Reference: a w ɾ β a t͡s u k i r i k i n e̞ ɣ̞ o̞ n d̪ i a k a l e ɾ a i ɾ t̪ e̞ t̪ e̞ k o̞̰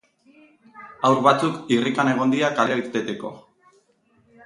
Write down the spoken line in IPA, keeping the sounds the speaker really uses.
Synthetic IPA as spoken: a w ɾ β a t͡s u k i r i k a n e̞ ɣ̞ o̞ n d̪ i a k a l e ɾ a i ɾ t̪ e̞ t̪ e̞ k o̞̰